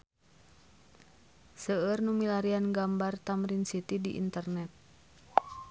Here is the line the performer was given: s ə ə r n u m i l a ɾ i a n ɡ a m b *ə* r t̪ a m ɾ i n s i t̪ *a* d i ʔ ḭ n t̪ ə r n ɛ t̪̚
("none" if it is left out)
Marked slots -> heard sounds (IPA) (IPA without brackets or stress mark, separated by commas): a, i